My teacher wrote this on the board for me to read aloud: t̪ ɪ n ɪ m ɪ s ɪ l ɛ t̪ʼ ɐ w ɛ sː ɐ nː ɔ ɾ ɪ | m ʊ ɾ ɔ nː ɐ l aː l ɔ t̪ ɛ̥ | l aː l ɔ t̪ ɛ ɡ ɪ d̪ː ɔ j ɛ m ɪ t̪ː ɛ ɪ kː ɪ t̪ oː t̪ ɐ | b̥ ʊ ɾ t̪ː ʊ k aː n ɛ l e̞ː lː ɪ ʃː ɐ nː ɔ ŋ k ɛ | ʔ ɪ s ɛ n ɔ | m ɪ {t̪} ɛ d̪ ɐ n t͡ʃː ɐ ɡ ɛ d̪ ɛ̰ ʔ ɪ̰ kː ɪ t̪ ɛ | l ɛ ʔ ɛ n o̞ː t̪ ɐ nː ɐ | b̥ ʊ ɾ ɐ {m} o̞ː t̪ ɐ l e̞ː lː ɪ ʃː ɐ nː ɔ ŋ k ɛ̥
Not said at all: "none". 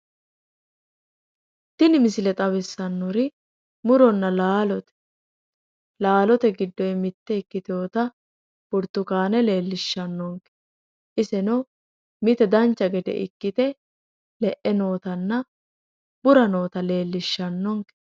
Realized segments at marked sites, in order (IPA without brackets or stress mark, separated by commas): t̪, n